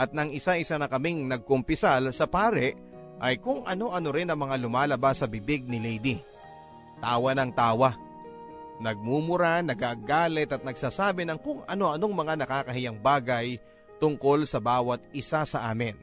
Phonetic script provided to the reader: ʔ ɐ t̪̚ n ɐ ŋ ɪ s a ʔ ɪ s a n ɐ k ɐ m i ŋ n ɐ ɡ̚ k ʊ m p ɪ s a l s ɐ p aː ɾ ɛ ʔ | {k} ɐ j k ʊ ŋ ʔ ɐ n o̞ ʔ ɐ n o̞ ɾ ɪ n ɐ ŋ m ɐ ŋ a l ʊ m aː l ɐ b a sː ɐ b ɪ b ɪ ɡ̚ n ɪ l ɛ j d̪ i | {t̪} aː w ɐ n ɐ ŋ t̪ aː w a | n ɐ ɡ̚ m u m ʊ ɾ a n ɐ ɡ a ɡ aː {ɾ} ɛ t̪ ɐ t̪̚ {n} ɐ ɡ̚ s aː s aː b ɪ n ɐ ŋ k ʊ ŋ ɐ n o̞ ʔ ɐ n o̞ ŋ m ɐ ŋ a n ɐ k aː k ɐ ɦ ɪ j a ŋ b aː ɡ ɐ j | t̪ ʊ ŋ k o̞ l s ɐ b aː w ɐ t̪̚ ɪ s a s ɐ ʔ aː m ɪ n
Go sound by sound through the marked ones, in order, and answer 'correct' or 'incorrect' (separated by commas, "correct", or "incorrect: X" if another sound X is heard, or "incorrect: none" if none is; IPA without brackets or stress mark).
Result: incorrect: ʔ, correct, incorrect: l, correct